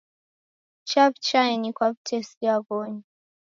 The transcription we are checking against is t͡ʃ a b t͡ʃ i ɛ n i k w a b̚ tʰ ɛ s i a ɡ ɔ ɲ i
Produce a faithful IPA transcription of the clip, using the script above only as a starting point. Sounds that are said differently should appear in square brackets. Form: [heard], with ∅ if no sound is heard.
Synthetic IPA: t͡ʃ a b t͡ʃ [a] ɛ n i k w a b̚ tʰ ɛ s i a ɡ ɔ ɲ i